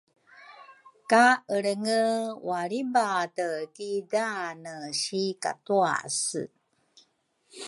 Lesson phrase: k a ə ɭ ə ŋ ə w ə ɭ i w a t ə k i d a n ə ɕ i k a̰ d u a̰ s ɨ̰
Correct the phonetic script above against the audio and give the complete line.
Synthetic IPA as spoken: k a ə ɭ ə ŋ ə w a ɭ i b a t ə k i d a n ə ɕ i k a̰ t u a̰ s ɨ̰